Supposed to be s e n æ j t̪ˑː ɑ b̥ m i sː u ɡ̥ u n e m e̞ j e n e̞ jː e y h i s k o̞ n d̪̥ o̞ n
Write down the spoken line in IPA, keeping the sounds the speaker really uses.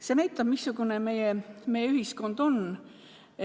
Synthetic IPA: s e n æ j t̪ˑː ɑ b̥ m i sː u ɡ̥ u n e m e̞ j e m e̞ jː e y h i s k o̞ n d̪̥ o̞ n